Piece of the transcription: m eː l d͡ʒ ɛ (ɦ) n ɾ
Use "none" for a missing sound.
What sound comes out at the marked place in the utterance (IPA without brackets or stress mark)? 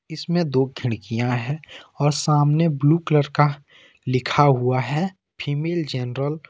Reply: none